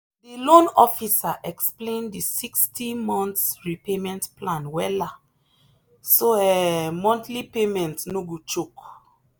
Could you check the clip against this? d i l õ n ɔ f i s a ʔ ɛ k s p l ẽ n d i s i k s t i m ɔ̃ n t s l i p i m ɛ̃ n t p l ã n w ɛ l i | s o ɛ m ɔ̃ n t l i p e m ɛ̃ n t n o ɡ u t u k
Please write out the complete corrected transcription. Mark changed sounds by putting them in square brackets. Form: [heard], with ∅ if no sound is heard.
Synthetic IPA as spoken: d i l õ n ɔ f i s a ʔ ɛ k s p l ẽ n d i s i k s t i m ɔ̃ n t s [ɹ] i p [e] m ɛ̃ n t p l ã n w ɛ l [a] | s o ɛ m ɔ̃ n t l i p e m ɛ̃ n t n o ɡ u [t͡ʃ] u k